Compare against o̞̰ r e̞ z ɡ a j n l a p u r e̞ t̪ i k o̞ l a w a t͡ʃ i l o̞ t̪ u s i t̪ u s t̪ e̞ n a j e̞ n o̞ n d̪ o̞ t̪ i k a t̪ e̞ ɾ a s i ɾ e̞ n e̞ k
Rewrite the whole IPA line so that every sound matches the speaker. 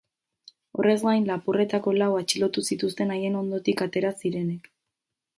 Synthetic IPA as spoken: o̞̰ r e̞ z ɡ a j n l a p u r e̞ t̪ a k o̞ l a w a t͡ʃ i l o̞ t̪ u s i t̪ u s t̪ e̞ n a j e̞ n o̞ n d̪ o̞ t̪ i k a t̪ e̞ ɾ a s i ɾ e̞ n e̞ k